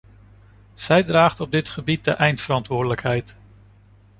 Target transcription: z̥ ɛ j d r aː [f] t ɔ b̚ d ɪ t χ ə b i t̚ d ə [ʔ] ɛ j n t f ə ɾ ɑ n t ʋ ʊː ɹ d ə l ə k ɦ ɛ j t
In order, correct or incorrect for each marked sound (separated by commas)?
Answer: incorrect, correct